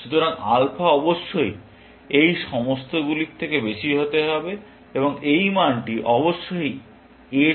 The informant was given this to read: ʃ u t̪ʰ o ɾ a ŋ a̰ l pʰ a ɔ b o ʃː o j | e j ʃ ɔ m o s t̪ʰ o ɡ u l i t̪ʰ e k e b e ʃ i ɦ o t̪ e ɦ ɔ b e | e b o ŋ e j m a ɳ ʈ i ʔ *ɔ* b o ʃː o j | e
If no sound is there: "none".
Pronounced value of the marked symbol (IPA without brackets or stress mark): ɔ